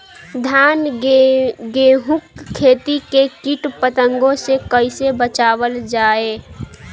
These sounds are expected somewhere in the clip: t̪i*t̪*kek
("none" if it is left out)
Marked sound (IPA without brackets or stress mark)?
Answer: none